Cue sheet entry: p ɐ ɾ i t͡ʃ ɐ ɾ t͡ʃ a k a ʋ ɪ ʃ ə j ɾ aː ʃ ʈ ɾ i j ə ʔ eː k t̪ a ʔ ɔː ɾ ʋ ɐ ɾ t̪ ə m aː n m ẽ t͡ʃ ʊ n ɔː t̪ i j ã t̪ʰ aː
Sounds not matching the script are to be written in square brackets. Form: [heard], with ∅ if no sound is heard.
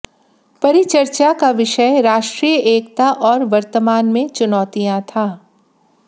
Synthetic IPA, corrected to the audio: p ɐ ɾ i t͡ʃ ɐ ɾ t͡ʃ a k a ʋ ɪ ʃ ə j ɾ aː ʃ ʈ ɾ i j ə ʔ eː k t̪ a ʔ ɔː ɾ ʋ ɐ ɾ t̪ ə m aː n m ẽ t͡ʃ ʊ n ɔː t̪ i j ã t̪ʰ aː